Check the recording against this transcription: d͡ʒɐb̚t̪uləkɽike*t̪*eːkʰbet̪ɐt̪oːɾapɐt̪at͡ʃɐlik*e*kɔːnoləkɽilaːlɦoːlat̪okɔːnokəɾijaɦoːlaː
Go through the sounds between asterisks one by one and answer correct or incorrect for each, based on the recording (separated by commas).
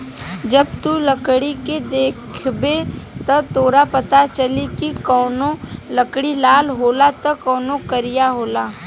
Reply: incorrect, incorrect